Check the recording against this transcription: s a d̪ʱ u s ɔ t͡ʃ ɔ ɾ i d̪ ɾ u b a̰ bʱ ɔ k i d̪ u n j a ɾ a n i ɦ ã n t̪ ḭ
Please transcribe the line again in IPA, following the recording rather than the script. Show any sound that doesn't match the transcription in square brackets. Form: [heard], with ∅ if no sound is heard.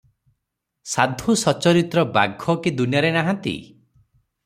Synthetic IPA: s a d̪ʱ u s ɔ t͡ʃ ɔ ɾ i [t̪] ɾ [ɔ] b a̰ [ɡʱ] ɔ k i d̪ u n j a ɾ [e] n [a] ɦ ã n t̪ ḭ